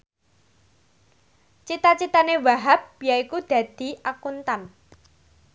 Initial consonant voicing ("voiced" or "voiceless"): voiceless